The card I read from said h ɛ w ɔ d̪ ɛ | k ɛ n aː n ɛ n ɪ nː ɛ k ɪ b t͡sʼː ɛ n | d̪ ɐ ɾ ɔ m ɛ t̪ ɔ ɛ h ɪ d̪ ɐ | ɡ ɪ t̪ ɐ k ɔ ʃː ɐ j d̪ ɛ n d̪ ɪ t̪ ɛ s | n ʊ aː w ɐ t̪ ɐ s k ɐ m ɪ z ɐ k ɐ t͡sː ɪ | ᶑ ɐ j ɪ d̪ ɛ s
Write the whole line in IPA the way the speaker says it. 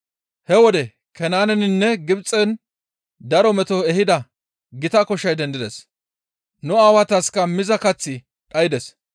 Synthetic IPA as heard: h ɛ w ɔ d̪ ɛ | k ɛ n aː n ɛ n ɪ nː ɛ ɡ ɪ b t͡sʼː ɛ n | d̪ ɐ ɾ ɔ m ɛ t̪ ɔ ɛ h ɪ d̪ ɐ | ɡ ɪ t̪ ɐ k ɔ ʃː ɐ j d̪ ɛ n d̪ ɪ d̪ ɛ s | n ʊ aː w ɐ t̪ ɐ s k ɐ m ɪ z ɐ k ɐ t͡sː ɪ | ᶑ ɐ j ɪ d̪ ɛ s